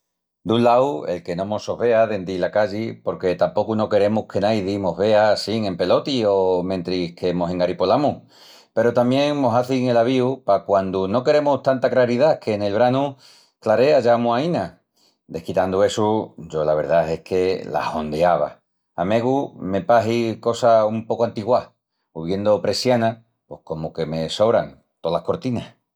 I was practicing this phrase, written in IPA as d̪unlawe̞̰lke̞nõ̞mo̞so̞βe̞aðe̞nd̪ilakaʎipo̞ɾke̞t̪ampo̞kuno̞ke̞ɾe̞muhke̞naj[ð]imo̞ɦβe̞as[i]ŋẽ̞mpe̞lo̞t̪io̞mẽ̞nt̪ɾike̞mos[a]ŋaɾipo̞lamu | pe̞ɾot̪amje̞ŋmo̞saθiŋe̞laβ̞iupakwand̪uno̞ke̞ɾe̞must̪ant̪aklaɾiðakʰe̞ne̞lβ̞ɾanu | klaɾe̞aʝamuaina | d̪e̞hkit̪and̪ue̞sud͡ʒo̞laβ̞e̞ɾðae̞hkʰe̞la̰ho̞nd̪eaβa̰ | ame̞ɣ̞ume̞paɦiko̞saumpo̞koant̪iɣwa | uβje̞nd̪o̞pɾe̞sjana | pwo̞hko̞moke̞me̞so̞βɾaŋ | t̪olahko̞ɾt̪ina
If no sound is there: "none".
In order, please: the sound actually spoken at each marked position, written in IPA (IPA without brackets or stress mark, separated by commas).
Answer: ð, i, e